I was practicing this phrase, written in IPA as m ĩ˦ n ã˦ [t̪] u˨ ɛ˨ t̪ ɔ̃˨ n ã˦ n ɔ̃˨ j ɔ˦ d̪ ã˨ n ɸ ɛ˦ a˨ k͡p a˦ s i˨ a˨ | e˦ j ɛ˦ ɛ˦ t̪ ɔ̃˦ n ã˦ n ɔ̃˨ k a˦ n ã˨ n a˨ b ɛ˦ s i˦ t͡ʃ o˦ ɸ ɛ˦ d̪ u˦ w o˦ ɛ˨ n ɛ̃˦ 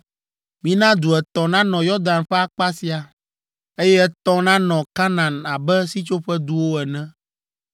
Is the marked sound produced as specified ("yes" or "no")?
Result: no